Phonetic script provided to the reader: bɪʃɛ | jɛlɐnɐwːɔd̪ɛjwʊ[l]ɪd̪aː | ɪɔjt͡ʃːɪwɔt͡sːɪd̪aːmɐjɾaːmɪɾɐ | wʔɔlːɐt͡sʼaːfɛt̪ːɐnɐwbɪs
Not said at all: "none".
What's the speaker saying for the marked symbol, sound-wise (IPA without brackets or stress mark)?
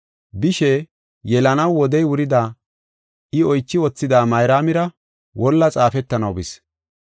ɾ